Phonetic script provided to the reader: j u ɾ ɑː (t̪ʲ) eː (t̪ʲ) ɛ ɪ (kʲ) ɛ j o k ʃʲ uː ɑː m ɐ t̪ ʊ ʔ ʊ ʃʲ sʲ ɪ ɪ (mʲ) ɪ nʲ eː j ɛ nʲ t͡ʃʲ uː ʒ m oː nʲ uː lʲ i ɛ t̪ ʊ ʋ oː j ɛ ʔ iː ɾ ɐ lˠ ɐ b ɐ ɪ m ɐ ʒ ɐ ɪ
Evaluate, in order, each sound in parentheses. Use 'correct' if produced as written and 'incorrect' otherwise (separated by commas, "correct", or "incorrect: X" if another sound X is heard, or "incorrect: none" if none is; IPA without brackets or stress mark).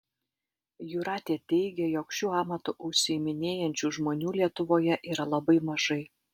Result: correct, correct, incorrect: ɡʲ, correct